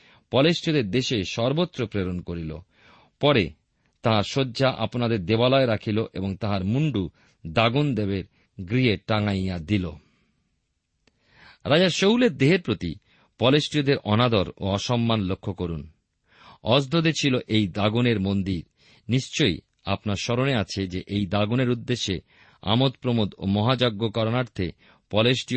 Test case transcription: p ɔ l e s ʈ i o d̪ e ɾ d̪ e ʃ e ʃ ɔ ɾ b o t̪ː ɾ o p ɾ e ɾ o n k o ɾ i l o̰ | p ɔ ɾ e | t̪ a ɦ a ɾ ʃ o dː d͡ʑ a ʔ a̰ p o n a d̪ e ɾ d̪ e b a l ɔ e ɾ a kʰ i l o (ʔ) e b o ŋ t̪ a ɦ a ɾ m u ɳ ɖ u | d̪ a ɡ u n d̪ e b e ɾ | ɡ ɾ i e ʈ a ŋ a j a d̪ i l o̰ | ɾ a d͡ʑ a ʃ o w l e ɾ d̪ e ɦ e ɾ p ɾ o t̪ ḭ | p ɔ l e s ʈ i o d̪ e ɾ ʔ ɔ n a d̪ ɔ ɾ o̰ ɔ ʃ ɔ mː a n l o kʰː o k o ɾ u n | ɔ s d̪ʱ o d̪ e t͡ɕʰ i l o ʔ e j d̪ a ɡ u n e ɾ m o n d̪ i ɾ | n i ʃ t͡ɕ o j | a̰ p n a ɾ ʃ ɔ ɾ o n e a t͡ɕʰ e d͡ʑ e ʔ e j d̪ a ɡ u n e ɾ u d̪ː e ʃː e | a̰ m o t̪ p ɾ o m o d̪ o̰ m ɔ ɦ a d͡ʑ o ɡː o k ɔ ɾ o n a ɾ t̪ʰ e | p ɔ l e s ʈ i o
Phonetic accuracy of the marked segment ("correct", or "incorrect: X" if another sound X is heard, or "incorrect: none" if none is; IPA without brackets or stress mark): correct